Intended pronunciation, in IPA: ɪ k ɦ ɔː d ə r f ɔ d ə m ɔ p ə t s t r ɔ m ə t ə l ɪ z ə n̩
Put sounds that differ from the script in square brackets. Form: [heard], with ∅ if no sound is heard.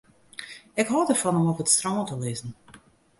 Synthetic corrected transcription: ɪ k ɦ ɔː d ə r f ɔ [n] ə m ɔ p ə t s t r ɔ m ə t ə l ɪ z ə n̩